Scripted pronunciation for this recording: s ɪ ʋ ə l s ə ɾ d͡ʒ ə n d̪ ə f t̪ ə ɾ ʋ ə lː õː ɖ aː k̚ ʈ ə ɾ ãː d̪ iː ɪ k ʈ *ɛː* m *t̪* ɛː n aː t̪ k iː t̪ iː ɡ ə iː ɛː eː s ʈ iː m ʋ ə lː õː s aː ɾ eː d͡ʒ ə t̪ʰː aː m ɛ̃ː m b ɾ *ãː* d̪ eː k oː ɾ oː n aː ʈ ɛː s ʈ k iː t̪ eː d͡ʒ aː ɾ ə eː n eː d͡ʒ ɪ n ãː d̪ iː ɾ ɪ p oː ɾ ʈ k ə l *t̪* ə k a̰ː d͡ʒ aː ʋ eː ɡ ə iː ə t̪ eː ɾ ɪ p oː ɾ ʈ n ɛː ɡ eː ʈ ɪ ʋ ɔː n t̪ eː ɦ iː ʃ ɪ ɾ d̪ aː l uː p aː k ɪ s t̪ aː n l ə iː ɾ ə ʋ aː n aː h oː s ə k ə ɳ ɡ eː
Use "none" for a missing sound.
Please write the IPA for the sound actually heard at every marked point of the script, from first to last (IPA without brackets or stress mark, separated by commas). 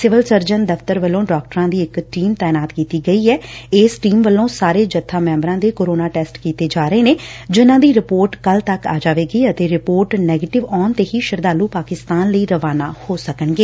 iː, t̪, ãː, t̪